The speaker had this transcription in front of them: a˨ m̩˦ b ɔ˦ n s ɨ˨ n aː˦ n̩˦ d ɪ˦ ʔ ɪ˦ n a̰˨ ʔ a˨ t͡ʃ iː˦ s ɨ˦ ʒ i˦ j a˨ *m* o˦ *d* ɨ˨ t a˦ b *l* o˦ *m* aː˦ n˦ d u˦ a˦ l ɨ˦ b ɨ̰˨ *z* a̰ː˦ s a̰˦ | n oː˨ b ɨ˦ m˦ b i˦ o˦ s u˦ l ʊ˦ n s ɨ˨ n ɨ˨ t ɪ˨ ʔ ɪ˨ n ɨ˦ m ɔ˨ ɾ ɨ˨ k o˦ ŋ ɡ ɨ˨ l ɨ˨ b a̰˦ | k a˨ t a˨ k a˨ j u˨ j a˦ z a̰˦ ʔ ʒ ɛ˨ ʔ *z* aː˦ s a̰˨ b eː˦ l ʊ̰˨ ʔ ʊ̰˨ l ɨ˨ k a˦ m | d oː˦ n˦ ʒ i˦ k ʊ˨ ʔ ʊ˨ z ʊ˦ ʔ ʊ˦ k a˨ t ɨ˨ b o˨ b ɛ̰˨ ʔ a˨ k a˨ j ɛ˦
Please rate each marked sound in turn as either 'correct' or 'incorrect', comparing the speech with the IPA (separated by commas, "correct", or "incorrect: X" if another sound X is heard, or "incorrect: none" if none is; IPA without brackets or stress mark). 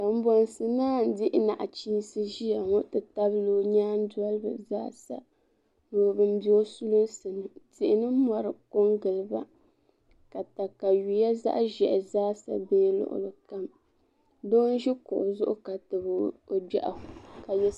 incorrect: ŋ, incorrect: t, correct, incorrect: ɲ, correct, correct